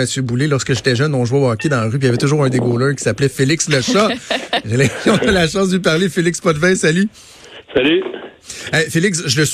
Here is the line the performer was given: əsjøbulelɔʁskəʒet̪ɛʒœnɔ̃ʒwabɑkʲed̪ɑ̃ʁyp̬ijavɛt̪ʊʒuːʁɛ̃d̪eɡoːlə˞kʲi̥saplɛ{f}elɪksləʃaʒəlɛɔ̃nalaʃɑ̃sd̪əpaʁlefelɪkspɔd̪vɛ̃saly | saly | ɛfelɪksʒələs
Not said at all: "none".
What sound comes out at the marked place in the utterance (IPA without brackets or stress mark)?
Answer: f